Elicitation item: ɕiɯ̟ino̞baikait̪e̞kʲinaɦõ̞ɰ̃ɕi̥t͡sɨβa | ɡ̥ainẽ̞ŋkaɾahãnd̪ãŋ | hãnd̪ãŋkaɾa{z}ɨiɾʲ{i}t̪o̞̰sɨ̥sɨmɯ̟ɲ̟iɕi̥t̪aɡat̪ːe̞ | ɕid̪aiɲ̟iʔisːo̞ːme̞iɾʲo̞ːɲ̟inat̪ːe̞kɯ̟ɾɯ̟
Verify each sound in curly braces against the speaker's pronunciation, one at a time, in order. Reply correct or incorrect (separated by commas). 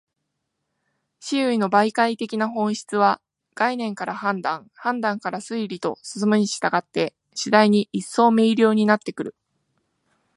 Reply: incorrect, correct